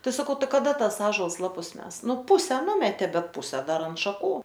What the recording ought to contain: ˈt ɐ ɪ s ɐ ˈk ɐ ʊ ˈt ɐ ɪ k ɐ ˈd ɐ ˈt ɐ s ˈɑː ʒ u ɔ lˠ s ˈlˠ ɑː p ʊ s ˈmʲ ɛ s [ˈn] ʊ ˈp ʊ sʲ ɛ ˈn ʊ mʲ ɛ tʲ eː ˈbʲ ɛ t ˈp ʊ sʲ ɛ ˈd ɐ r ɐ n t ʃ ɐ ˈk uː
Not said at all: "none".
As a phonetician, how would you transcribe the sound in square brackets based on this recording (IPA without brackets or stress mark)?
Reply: n